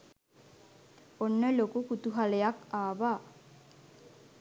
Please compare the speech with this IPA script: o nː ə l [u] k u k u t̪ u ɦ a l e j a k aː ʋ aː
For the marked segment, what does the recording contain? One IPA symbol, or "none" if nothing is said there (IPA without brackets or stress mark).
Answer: o